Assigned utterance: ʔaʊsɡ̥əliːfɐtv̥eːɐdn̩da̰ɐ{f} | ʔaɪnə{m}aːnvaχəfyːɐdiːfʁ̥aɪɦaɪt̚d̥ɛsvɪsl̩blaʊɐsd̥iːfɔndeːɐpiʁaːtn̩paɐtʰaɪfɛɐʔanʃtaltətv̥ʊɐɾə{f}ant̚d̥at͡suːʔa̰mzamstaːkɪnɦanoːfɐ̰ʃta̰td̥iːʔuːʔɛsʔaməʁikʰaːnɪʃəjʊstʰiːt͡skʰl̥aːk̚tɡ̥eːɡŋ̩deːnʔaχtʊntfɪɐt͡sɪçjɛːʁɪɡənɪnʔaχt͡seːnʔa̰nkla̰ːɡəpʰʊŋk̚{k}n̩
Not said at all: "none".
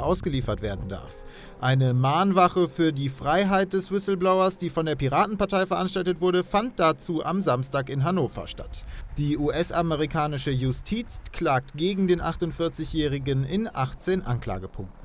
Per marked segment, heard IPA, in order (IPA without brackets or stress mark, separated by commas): f, m, f, t